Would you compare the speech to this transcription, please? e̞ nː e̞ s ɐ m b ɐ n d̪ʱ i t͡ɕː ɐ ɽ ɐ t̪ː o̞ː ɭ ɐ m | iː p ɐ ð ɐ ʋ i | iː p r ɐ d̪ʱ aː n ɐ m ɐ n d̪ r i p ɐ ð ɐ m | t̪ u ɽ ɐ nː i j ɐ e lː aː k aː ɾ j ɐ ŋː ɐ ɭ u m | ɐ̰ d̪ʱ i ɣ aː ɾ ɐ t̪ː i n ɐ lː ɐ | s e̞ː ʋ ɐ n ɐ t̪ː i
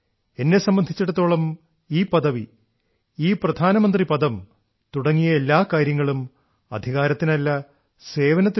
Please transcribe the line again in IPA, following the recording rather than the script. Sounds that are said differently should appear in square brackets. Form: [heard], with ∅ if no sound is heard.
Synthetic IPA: e̞ nː e̞ s ɐ m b ɐ n d̪ʱ i t͡ɕː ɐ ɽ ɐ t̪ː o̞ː ɭ ɐ m | iː p ɐ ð ɐ ʋ i | iː p r ɐ d̪ʱ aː n ɐ m ɐ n d̪ r i p ɐ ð ɐ m | t̪ u ɽ ɐ [ŋː] i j ɐ e lː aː k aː ɾ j ɐ ŋː ɐ ɭ u m | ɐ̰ d̪ʱ i ɣ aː ɾ ɐ t̪ː i n ɐ lː ɐ | s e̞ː ʋ ɐ n ɐ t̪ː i